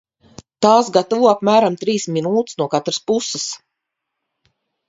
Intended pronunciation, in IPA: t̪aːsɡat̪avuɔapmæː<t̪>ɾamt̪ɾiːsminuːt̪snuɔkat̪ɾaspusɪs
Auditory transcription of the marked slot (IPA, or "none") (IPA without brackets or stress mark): none